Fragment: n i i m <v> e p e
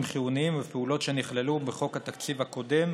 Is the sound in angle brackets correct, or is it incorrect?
correct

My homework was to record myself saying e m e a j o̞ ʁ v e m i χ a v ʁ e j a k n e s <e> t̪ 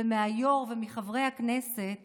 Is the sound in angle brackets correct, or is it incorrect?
correct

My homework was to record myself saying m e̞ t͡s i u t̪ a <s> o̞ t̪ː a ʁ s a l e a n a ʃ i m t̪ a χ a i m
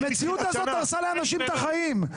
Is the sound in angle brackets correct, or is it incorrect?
incorrect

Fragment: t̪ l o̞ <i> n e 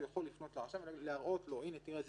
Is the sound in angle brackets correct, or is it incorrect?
correct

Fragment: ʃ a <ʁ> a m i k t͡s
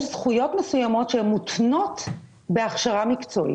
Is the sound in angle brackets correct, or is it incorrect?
correct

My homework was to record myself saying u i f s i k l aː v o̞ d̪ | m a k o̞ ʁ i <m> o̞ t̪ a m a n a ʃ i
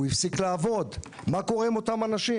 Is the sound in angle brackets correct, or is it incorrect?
correct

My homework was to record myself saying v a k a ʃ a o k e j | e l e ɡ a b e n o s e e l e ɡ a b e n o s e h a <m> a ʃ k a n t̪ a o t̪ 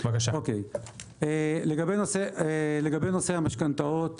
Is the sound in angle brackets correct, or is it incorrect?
correct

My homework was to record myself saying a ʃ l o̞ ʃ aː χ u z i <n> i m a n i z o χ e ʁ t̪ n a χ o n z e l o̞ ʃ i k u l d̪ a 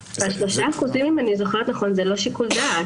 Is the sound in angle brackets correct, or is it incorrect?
incorrect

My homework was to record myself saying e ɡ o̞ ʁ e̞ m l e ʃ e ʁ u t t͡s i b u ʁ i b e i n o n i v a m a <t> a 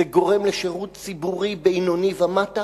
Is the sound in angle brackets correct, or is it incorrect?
correct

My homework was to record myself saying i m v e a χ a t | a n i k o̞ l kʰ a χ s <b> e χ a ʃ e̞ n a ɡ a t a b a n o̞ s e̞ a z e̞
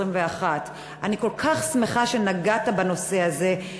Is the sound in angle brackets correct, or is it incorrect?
incorrect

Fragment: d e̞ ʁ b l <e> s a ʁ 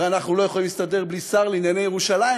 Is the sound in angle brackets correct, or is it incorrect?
incorrect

